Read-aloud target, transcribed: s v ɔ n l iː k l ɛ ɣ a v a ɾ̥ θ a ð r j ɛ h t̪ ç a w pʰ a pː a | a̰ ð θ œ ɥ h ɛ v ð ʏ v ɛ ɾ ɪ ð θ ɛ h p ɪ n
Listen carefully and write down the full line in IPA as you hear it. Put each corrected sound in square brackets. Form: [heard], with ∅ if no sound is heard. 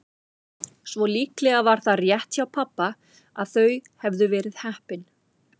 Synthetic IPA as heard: s v ɔ [∅] l iː k l ɛ ɣ a v a ɾ̥ θ a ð r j ɛ h t̪ ç a w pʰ a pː a | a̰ ð θ œ ɥ h ɛ v ð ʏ v [ɛː] ɾ ɪ ð [h] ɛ h p ɪ n